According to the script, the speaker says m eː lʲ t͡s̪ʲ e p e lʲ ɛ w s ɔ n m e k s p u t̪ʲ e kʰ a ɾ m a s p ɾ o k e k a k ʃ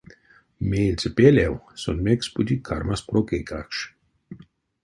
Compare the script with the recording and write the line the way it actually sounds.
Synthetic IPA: m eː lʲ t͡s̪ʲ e p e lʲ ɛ w s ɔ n m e k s p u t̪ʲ i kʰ a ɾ m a s p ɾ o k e k a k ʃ